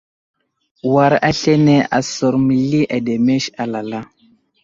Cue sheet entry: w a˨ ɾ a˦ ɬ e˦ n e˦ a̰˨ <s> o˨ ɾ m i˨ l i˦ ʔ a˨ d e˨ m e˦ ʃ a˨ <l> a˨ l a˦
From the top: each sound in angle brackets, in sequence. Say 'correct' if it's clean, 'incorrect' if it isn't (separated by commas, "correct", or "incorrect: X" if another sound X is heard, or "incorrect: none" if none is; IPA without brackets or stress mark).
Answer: correct, correct